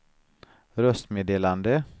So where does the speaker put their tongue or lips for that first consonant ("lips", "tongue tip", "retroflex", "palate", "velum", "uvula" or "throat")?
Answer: tongue tip